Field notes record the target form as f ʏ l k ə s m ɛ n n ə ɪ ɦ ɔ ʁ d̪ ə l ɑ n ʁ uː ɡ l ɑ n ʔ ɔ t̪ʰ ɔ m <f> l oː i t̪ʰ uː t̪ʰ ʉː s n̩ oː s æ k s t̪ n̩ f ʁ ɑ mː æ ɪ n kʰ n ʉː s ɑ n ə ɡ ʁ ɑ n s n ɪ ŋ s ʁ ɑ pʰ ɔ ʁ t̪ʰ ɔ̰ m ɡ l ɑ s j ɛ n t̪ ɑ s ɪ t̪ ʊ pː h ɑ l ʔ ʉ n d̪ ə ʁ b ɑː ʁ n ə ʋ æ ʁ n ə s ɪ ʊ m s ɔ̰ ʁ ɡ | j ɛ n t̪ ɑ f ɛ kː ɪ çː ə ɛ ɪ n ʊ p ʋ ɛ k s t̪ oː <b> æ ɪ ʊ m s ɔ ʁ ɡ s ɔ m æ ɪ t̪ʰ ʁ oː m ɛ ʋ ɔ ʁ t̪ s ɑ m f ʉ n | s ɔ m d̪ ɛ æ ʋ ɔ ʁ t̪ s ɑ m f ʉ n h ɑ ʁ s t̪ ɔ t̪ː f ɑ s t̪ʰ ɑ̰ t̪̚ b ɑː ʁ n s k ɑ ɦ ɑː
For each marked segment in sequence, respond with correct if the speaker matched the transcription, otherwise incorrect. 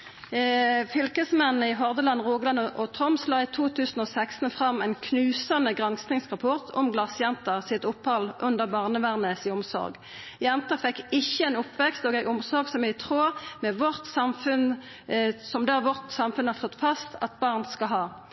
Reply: incorrect, incorrect

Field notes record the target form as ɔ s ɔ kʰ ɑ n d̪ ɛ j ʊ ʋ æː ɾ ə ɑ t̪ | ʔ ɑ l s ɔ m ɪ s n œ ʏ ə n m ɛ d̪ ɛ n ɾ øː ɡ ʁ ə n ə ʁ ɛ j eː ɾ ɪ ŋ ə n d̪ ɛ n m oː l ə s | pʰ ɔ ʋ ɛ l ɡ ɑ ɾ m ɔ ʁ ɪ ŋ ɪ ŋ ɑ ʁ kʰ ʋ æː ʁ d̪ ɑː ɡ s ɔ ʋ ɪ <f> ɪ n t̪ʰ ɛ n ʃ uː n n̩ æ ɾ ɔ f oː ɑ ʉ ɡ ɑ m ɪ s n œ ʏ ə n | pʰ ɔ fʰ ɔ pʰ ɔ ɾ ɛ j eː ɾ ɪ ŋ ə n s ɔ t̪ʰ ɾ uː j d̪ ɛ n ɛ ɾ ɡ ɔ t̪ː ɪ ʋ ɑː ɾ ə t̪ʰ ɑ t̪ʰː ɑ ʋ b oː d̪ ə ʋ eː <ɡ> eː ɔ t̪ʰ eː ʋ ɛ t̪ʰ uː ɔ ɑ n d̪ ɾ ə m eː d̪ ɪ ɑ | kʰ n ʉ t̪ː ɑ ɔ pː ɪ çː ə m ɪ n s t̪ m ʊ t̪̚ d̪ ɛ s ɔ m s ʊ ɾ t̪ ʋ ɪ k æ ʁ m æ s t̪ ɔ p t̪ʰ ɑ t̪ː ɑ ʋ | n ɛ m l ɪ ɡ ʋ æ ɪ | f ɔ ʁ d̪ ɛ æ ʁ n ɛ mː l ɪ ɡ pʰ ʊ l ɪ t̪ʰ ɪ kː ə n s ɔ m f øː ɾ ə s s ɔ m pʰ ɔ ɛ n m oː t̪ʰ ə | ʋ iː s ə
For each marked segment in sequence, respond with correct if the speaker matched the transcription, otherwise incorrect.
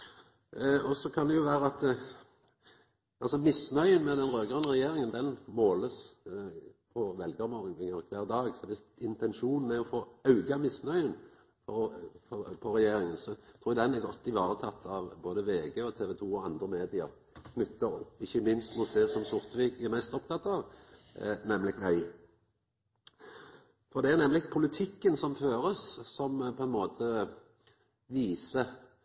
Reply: incorrect, correct

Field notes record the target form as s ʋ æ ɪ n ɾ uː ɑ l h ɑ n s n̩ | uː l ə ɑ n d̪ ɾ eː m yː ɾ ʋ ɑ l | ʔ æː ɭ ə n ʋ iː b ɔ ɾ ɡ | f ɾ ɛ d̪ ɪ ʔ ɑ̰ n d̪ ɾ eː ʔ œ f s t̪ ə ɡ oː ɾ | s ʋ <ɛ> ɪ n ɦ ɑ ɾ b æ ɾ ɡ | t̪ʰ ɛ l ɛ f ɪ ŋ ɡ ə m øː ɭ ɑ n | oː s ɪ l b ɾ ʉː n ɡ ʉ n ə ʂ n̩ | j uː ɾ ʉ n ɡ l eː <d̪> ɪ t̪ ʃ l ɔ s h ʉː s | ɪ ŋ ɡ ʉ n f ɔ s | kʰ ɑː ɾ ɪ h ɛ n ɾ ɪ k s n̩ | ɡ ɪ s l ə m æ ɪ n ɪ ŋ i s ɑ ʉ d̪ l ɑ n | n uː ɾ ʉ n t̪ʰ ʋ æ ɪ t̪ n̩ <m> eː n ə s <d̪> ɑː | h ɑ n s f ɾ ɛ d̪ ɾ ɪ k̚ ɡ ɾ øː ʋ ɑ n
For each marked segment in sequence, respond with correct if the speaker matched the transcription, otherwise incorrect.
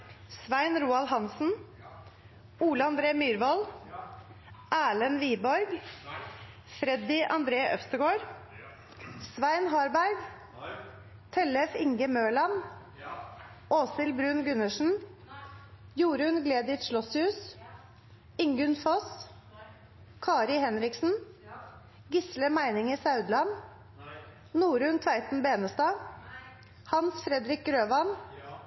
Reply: incorrect, correct, incorrect, incorrect

